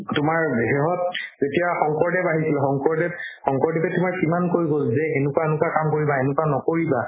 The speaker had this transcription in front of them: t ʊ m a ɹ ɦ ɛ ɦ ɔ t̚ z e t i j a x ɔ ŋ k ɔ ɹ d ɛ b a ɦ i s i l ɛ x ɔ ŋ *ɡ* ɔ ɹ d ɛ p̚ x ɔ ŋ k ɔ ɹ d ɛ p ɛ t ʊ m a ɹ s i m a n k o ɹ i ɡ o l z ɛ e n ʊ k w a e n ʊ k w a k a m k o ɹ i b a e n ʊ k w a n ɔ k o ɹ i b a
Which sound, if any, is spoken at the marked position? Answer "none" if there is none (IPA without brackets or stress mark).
k